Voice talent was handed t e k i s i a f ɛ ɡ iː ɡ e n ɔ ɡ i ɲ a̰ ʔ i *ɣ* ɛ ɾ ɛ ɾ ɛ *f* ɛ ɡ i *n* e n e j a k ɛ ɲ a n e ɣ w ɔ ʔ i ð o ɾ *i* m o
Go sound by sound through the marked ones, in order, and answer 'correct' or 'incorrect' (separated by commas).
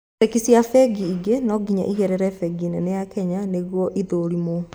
correct, correct, correct, correct